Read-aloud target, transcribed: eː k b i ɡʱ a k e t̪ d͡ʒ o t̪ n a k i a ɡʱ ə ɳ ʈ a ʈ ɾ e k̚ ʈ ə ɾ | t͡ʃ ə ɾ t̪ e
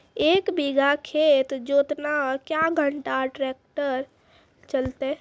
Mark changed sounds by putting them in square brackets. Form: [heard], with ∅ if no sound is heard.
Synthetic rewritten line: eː k b i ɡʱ a [kʰ] e t̪ d͡ʒ o t̪ n a k [j] a ɡʱ ə ɳ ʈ a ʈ ɾ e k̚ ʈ ə ɾ | t͡ʃ ə [l] t̪ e